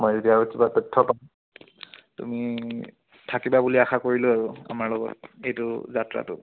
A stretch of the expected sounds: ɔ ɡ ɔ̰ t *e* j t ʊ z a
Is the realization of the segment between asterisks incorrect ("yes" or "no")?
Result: no